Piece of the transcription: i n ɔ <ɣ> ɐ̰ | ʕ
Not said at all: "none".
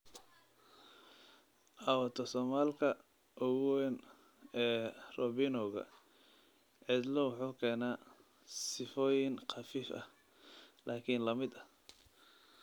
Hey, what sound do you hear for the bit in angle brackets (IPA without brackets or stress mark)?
ɣ